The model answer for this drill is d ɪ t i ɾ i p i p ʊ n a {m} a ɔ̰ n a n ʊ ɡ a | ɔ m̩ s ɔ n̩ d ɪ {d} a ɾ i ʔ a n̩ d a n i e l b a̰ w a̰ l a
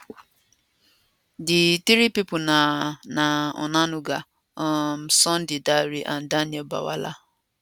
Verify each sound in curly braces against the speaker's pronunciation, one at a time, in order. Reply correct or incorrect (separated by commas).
incorrect, correct